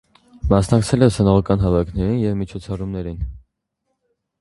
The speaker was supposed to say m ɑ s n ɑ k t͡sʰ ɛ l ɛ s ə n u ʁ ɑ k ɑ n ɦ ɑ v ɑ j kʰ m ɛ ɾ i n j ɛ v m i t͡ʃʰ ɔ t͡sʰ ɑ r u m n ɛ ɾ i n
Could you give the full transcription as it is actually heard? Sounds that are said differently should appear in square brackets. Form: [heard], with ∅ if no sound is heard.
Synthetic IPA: m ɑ s n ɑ k t͡sʰ ɛ l ɛ s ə n [ɔ] ʁ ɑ k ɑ n ɦ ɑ v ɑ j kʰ [n] ɛ ɾ i n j ɛ v m i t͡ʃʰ ɔ t͡sʰ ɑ r u m n ɛ ɾ i n